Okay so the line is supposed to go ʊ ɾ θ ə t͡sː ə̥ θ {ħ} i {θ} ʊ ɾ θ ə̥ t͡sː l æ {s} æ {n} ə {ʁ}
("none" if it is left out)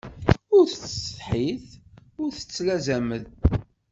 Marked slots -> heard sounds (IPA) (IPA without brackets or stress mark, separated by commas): ħ, θ, z, m, ð